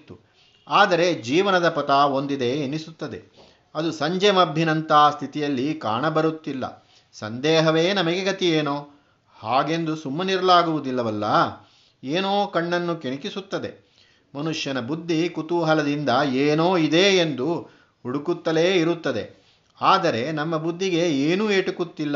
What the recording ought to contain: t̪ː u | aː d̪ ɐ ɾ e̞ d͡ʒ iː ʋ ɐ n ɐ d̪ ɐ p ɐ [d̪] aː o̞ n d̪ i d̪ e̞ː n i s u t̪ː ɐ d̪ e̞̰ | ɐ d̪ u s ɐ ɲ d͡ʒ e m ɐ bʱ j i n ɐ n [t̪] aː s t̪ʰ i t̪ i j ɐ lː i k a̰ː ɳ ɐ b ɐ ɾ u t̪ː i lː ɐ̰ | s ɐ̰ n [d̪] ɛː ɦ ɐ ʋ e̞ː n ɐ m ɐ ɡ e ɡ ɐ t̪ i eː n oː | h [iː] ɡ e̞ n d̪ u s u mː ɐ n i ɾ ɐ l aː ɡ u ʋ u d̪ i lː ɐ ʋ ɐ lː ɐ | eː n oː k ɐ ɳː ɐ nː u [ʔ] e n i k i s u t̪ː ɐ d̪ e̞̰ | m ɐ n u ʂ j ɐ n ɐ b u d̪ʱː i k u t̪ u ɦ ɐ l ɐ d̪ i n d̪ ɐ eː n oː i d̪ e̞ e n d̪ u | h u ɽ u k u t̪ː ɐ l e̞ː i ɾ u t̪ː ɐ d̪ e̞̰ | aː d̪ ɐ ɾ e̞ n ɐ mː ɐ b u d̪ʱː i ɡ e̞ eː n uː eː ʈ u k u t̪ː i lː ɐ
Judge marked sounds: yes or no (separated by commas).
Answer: no, yes, yes, no, no